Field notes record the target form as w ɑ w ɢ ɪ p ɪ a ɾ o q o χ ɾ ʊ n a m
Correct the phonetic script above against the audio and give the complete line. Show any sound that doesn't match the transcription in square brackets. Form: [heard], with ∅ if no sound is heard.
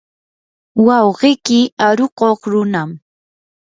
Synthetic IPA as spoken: w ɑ w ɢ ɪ [k] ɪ a ɾ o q o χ ɾ ʊ n a m